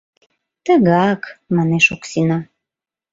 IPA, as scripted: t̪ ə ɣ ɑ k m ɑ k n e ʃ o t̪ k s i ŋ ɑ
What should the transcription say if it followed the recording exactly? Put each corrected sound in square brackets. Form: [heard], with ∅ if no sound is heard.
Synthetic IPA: t̪ ə ɣ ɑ k m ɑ [∅] n e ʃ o [∅] k s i [n] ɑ